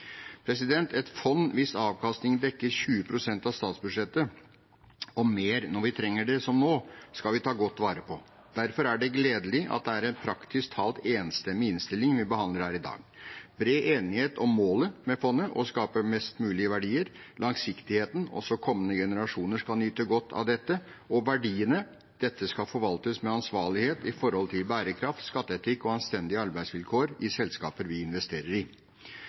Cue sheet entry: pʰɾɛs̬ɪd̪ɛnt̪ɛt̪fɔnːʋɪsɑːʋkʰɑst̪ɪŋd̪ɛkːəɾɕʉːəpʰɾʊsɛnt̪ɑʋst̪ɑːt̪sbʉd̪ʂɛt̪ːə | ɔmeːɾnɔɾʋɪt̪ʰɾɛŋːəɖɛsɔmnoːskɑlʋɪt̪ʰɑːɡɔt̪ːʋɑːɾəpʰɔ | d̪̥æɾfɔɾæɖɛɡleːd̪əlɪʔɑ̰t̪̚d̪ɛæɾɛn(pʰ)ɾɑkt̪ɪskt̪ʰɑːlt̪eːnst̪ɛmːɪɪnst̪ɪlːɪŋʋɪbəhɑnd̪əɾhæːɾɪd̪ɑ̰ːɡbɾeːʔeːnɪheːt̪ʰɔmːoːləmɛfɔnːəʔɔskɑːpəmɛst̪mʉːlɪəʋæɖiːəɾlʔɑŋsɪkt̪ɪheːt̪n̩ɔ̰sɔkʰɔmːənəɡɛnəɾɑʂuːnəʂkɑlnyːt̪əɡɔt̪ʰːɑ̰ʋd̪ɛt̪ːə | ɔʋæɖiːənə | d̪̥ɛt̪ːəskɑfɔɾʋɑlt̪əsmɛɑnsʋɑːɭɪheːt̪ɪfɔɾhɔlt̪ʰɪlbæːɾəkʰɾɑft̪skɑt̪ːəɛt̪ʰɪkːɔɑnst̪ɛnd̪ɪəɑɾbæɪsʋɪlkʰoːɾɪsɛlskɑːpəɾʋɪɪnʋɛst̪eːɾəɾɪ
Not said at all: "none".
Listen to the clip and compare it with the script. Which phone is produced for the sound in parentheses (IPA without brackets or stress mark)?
pʰ